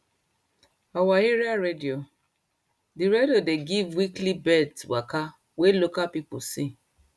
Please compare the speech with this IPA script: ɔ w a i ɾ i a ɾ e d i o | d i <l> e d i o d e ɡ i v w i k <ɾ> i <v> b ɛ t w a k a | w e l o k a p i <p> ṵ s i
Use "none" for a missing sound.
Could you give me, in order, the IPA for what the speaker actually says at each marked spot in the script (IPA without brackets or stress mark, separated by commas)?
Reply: ɾ, l, none, p